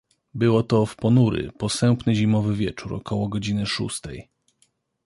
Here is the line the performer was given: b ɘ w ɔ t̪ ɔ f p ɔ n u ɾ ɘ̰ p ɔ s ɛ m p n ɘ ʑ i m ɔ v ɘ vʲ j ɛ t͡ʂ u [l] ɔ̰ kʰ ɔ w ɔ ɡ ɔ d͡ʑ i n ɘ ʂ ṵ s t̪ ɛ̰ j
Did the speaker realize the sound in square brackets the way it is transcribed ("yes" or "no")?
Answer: no